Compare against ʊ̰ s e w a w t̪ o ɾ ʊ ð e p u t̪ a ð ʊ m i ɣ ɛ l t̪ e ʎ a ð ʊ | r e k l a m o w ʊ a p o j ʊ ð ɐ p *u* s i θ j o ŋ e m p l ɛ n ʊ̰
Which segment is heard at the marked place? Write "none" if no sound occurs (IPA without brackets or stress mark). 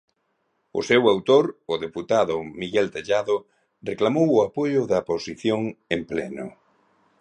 o